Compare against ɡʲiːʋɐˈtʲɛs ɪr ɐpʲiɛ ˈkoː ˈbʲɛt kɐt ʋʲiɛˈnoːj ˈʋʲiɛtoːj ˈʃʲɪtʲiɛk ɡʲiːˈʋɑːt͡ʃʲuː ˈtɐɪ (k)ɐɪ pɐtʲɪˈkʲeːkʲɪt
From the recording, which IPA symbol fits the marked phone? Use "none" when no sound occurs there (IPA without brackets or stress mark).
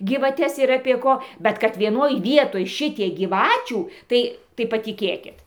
t